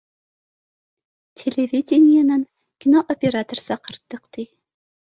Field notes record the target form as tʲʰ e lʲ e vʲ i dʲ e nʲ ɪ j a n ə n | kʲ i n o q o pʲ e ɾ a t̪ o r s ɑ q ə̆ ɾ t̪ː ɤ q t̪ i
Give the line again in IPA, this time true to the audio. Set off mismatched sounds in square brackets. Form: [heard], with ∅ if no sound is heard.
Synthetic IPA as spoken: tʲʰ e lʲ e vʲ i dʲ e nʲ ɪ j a n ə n | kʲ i n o [ʔ] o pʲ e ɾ a t̪ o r s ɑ q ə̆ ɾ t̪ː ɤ q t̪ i